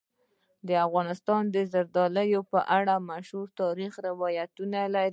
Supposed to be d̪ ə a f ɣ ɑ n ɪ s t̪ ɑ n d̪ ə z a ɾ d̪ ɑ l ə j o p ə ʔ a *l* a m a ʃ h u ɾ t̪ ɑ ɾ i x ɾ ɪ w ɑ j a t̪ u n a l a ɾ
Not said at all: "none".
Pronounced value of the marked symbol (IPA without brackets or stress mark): ɽ